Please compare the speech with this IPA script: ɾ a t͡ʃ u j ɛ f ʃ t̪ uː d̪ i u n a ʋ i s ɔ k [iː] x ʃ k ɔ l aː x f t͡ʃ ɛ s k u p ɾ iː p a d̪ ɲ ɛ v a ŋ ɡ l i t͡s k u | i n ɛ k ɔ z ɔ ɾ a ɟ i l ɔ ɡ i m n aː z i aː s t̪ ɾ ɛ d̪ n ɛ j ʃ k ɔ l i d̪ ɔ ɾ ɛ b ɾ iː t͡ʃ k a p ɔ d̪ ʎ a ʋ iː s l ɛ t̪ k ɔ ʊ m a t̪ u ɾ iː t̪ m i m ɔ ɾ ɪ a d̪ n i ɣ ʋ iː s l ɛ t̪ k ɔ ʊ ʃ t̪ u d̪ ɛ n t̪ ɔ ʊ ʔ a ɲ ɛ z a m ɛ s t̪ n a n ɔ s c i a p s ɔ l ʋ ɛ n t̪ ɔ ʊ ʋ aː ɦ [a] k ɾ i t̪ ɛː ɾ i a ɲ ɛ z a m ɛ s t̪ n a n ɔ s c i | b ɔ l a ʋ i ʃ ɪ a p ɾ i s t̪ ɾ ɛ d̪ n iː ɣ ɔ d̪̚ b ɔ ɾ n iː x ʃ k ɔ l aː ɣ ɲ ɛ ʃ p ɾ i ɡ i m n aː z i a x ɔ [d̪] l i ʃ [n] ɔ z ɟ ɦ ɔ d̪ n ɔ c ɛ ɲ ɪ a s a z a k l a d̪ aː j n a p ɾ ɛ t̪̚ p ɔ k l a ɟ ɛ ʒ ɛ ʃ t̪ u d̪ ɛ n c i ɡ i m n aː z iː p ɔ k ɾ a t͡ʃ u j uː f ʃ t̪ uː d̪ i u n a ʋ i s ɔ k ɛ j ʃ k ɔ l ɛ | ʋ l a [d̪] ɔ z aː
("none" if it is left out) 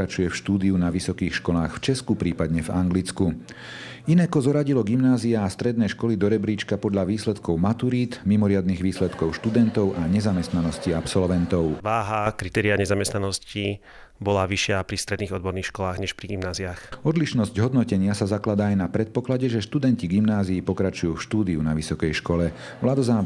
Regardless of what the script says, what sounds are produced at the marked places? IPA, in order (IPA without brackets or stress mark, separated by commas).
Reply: iː, a, d̪, n, d̪